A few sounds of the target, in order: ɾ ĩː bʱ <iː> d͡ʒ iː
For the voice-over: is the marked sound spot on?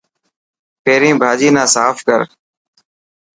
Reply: no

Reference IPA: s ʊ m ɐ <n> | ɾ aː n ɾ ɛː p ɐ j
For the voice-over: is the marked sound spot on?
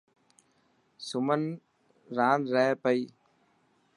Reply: yes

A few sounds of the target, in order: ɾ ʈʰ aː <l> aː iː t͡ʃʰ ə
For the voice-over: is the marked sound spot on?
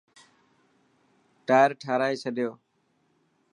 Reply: no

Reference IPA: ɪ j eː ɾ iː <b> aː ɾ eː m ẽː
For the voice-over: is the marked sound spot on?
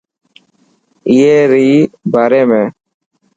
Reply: yes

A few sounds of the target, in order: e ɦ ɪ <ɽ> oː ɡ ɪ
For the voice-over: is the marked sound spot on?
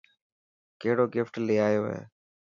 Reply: yes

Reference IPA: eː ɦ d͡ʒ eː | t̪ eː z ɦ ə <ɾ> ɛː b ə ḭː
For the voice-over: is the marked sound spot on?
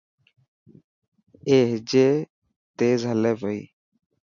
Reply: no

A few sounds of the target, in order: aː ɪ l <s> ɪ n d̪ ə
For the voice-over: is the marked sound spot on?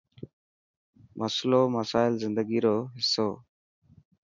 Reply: no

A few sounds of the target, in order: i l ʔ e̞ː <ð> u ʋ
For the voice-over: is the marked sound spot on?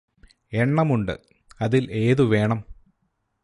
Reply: yes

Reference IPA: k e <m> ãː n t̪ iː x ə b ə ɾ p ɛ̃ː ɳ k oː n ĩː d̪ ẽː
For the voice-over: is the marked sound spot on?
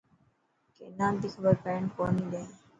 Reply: no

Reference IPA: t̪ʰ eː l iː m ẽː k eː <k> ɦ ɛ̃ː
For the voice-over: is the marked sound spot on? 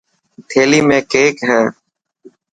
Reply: yes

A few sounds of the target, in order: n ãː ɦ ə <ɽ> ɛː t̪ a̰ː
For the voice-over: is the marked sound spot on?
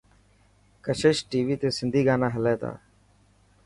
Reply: no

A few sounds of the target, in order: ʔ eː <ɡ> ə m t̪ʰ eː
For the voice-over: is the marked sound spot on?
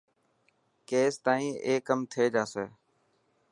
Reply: no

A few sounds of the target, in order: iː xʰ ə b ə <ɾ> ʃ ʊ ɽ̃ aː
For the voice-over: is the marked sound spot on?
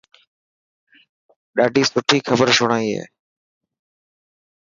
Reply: yes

